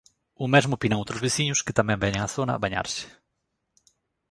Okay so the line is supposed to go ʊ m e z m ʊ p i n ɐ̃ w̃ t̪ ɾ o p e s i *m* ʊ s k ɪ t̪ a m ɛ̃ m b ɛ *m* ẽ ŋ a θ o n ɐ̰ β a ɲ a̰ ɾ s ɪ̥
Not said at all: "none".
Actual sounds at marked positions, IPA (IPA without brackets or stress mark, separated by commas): ɲ, ɲ